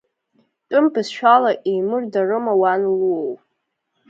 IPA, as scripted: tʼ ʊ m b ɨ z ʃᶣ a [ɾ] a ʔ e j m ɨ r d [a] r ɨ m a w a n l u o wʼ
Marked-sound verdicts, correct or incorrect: incorrect, correct

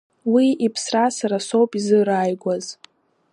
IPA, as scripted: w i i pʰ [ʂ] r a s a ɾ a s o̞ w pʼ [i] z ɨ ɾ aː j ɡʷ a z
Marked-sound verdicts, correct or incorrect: incorrect, correct

